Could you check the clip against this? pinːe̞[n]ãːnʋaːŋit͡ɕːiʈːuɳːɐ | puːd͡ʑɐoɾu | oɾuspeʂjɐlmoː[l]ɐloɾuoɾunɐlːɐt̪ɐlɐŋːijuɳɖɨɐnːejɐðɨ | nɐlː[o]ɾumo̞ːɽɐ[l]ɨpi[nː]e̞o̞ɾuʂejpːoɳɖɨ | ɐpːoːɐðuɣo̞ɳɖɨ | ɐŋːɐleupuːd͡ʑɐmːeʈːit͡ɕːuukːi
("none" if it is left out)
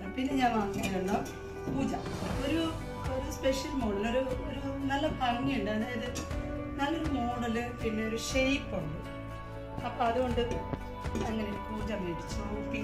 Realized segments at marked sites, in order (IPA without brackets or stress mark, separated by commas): ɲ, ɽ, o, l, nː